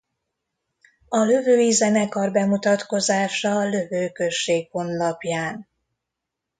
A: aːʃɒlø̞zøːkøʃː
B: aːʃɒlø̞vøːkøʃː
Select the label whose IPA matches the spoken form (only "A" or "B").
B